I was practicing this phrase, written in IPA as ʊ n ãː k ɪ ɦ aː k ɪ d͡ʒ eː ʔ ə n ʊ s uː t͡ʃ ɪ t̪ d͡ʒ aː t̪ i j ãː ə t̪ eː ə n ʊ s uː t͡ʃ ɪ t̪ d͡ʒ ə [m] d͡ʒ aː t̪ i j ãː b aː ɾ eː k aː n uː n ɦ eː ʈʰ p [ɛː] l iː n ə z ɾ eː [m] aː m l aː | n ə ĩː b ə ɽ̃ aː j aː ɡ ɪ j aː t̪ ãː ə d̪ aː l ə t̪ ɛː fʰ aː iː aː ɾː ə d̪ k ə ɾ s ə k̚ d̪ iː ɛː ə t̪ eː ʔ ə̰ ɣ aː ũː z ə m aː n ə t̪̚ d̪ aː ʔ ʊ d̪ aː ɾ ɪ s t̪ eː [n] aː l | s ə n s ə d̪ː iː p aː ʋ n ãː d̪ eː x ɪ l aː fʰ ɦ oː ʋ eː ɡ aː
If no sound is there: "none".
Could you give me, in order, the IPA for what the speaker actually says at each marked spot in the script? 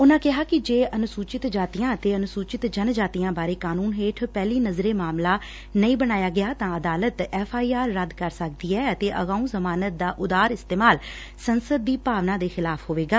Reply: n, ɛː, m, m

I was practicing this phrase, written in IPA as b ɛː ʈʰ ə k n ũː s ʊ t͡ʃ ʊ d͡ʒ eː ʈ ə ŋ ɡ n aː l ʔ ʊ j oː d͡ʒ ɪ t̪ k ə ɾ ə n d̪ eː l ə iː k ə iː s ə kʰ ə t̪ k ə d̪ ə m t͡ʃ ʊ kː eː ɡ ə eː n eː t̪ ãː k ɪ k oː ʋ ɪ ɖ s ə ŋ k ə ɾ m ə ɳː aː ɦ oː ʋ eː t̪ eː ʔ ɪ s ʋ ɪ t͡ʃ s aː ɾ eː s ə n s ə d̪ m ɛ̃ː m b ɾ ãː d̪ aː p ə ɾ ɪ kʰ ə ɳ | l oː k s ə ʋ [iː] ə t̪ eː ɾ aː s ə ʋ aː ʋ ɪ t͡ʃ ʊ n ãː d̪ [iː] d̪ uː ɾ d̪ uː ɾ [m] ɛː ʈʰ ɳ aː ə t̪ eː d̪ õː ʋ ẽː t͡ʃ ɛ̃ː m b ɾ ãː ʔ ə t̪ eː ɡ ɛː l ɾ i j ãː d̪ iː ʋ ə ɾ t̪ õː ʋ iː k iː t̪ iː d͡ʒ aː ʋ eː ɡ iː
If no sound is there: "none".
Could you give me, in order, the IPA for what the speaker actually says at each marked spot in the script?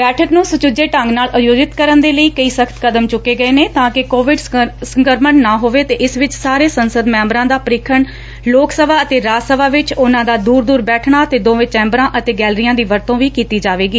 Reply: aː, aː, b

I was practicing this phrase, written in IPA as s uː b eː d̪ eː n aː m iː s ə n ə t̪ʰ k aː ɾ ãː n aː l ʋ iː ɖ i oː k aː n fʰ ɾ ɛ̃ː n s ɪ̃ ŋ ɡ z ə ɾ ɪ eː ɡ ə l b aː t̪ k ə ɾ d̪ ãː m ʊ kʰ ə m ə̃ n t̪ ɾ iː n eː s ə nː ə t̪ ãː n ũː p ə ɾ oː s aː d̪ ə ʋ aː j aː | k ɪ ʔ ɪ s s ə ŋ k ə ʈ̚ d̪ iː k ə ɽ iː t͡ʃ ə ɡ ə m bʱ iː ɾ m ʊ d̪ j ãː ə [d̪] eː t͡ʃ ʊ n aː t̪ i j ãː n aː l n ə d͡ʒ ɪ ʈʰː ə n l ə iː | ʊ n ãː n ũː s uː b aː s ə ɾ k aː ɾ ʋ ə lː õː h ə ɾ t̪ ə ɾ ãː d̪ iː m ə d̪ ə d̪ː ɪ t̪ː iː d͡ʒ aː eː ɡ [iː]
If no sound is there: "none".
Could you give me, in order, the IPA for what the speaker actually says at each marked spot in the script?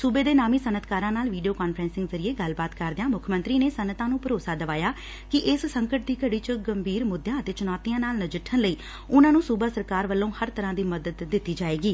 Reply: t̪, iː

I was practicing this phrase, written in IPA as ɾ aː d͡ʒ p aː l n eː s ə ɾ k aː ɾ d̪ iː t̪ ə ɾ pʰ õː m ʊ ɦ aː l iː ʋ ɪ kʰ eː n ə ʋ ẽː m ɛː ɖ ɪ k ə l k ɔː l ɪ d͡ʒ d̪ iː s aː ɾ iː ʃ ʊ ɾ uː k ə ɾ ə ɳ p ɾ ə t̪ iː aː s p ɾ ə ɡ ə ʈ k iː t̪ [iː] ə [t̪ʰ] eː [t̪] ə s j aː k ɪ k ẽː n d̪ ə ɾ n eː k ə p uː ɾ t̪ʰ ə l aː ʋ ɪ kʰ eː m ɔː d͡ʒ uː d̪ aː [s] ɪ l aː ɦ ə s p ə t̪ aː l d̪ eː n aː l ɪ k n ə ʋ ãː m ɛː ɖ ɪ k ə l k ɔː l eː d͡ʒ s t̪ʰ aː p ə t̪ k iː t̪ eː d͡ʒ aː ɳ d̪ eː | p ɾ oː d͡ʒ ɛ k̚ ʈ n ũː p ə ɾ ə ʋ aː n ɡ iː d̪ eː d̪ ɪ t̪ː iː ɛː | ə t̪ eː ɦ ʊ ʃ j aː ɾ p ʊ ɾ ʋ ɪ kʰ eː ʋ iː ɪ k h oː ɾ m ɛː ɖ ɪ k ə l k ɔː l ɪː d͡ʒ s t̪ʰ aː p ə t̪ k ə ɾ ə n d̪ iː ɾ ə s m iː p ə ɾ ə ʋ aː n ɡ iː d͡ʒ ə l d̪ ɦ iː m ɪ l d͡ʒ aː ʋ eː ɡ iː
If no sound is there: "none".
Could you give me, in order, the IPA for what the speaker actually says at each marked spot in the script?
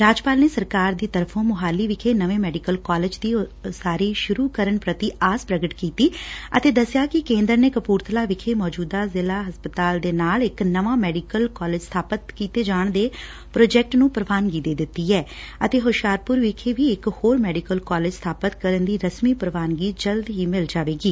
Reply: iː, t̪, d̪, z

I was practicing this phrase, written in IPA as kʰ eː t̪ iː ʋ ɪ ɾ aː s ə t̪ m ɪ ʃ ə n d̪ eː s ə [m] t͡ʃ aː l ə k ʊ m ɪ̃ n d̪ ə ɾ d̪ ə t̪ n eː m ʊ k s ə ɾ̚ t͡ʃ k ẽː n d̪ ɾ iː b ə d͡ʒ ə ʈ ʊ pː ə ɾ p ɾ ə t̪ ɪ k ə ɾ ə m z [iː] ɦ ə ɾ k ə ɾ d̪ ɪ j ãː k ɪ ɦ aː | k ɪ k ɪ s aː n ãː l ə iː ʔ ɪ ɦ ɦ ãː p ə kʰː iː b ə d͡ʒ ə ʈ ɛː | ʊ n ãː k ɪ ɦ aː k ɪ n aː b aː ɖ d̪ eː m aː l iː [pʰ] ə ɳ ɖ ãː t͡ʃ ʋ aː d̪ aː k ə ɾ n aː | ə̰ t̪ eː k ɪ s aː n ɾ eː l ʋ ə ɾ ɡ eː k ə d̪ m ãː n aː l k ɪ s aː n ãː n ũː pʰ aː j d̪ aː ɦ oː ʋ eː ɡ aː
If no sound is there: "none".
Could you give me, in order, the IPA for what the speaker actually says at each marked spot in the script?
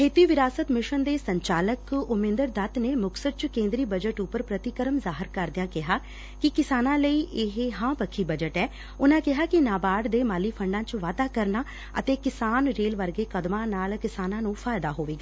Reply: ɲ, aː, pʰ

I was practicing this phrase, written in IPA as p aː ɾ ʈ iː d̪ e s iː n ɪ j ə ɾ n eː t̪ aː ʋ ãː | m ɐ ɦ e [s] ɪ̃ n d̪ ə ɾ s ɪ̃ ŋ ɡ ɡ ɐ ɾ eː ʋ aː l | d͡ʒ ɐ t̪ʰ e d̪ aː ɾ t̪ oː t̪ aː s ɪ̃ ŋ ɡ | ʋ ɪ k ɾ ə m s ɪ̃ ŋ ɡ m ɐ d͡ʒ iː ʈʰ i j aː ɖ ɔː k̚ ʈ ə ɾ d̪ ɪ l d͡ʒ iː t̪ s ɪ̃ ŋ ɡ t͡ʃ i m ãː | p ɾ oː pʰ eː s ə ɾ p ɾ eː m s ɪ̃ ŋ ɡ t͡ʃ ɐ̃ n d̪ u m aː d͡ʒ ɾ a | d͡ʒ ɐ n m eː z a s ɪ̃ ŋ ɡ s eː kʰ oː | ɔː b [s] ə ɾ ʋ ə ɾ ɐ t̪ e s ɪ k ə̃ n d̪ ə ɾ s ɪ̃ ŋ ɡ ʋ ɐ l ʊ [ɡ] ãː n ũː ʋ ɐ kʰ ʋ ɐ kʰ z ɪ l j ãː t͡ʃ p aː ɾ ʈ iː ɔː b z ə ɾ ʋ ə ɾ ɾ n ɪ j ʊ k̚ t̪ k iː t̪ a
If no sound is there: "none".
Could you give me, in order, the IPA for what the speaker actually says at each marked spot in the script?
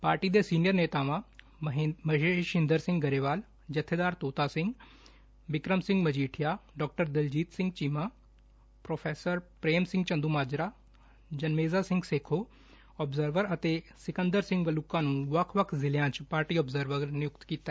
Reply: ʃ, z, k

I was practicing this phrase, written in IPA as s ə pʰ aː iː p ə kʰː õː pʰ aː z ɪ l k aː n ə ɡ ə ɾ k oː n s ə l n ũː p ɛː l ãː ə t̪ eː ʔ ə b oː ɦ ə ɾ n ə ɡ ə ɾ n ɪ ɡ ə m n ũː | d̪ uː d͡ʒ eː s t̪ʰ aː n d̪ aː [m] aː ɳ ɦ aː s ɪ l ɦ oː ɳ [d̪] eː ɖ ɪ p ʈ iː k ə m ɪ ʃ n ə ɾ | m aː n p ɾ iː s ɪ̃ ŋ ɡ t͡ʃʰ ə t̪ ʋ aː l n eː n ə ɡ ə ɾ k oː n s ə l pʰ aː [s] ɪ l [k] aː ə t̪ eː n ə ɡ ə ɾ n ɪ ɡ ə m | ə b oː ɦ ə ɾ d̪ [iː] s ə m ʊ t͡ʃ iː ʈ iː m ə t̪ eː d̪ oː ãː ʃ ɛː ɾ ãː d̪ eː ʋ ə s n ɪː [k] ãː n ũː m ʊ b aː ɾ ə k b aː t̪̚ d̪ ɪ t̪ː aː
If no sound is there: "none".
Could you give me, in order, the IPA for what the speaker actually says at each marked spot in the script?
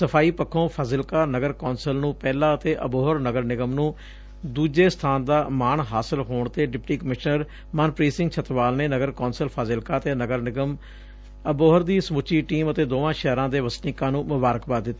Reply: m, t̪, z, k, iː, k

